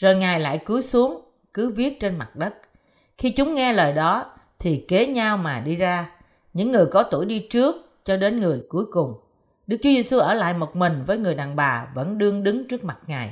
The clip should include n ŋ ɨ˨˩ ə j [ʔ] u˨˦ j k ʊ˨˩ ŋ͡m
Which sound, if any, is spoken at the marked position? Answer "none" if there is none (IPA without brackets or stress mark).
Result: k